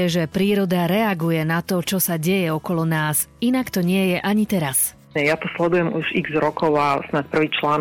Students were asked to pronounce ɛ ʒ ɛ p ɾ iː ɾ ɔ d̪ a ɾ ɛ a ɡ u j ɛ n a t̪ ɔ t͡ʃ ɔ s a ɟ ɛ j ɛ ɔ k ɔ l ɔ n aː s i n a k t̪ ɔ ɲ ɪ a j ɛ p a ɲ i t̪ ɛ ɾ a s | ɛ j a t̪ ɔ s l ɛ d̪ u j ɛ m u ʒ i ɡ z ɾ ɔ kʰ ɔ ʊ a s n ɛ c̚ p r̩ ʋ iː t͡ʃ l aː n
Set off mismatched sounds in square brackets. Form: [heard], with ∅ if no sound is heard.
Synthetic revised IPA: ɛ ʒ ɛ p ɾ iː ɾ ɔ d̪ a ɾ ɛ a ɡ u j ɛ n a t̪ ɔ t͡ʃ ɔ s a ɟ ɛ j ɛ ɔ k ɔ l ɔ n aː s i n a k t̪ ɔ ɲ ɪ [ɛ] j ɛ [ʔ] a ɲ i t̪ ɛ ɾ a s | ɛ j a t̪ ɔ s l ɛ d̪ u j ɛ m u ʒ i ɡ z ɾ ɔ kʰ ɔ ʊ a s n [a] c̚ p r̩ ʋ iː t͡ʃ l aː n